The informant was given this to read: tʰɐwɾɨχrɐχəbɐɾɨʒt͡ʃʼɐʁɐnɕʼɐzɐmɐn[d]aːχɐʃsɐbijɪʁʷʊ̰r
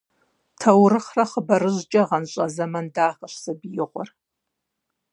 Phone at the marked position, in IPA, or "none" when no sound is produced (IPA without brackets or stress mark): d